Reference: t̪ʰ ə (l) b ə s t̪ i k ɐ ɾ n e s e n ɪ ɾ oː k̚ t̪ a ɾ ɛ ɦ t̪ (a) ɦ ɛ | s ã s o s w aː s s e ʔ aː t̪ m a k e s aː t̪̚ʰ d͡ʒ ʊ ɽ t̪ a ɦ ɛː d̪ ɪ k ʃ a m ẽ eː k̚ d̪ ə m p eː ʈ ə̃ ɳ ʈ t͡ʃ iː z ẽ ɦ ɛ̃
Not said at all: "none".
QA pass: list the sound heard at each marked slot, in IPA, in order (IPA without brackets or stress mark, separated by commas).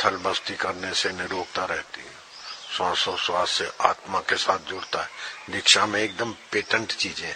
l, i